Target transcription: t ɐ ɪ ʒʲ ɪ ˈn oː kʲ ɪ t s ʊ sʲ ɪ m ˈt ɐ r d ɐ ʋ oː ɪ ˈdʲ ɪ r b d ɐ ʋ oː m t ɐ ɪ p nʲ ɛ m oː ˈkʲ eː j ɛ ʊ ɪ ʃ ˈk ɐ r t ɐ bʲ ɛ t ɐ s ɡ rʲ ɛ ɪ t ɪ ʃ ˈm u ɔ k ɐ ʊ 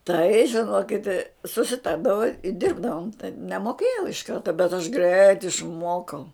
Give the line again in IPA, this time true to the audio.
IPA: t ɐ ɪ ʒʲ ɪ ˈn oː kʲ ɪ t s ʊ sʲ ɪ ˈt ɐ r d ɐ ʋ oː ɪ ˈdʲ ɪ r b d ɐ ʋ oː m t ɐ ɪ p nʲ ɛ m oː ˈkʲ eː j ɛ ʊ ɪ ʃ ˈk ɐ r t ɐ bʲ ɛ t ɐ ʃ ɡ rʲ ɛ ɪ t ɪ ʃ ˈm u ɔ k ɐ ʊ